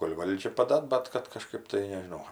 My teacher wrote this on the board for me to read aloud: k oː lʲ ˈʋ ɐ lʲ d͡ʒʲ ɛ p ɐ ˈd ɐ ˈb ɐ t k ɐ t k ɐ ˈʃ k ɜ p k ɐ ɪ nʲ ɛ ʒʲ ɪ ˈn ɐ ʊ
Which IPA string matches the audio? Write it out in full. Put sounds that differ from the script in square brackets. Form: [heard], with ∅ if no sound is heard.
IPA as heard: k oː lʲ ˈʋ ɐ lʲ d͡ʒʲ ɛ p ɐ ˈd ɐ ˈb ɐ t k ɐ t k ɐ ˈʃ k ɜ p [t] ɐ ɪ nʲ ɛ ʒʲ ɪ ˈn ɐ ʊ